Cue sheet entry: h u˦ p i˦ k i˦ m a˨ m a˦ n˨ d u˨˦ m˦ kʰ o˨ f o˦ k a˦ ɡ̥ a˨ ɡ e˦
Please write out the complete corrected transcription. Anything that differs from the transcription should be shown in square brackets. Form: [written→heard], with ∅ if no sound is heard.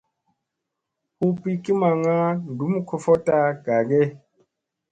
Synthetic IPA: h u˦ p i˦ k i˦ m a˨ [m→ŋ] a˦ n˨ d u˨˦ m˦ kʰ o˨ f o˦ [k→t] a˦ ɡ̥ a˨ ɡ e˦